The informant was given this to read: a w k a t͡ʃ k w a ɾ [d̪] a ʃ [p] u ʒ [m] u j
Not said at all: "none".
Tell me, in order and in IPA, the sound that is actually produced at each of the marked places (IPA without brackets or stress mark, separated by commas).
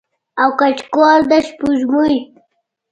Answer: d̪, p, m